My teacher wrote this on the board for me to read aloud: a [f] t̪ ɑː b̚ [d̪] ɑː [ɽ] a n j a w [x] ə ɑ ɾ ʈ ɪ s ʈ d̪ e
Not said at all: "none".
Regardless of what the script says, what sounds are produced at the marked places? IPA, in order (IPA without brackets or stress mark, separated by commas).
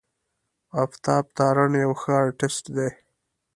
f, t̪, ɾ, x